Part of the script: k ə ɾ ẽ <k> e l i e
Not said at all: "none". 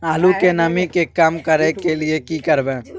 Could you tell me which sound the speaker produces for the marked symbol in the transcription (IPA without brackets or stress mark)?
k